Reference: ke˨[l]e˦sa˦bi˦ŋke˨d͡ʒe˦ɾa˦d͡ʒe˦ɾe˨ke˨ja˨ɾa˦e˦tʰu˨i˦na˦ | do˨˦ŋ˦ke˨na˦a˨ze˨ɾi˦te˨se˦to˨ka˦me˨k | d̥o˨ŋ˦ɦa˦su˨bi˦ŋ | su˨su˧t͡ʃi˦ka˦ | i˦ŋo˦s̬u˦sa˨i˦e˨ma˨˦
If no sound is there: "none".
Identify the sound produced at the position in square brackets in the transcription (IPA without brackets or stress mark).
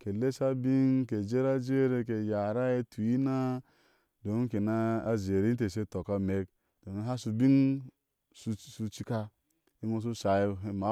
l